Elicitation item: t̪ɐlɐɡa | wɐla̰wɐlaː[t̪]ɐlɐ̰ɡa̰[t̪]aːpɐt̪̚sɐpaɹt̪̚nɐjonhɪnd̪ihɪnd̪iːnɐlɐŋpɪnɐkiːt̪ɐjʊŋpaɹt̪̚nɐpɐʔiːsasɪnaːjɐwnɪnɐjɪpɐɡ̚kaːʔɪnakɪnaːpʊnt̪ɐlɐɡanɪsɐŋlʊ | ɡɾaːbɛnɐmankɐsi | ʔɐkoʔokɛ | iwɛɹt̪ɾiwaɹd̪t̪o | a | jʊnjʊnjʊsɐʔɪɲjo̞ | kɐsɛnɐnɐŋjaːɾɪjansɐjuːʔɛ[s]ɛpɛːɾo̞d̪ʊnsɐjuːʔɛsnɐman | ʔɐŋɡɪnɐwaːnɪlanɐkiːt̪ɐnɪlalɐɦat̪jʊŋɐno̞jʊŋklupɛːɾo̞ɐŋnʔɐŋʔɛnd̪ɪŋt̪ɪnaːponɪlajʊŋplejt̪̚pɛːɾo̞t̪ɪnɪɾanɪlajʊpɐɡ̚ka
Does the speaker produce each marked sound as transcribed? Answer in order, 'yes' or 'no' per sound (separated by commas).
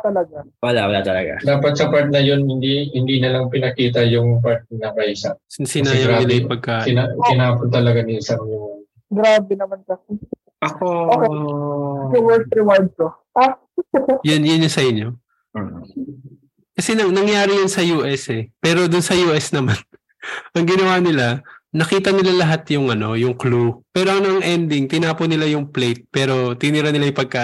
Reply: yes, no, yes